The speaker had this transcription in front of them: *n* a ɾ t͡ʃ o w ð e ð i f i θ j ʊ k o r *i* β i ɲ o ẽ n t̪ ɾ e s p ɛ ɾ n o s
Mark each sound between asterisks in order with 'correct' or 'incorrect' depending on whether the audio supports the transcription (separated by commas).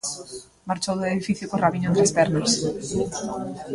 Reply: incorrect, incorrect